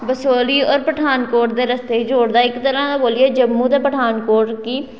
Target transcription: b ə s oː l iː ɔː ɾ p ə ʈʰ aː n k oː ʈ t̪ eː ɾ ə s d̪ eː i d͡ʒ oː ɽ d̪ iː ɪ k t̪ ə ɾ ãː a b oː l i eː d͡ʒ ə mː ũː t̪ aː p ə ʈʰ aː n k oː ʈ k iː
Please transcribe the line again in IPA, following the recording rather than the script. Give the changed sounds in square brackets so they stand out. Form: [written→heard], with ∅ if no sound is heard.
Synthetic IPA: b ə s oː l iː ɔː ɾ p ə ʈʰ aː n k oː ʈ [t̪→d̪] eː ɾ ə s [d̪→t̪] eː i d͡ʒ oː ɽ d̪ [iː→aː] ɪ k t̪ ə ɾ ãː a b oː l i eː d͡ʒ ə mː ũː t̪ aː p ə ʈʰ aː n k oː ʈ k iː